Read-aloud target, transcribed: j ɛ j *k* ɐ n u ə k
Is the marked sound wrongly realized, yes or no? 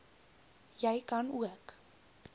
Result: no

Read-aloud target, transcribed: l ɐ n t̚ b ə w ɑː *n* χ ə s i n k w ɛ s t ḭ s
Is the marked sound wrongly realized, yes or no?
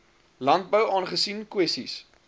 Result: no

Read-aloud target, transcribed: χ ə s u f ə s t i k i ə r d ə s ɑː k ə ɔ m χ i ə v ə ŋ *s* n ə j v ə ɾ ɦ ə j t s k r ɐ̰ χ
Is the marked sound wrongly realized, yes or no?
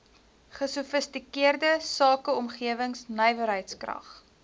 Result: no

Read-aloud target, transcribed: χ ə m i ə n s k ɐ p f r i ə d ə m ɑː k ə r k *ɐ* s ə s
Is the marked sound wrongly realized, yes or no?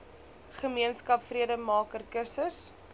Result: yes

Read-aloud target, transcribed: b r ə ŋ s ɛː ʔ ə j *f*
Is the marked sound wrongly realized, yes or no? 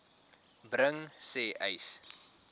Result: yes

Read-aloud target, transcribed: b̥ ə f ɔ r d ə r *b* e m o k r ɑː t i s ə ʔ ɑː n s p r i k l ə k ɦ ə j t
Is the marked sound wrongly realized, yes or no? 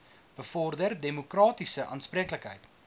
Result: yes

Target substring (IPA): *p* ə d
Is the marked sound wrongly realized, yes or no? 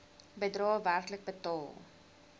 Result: yes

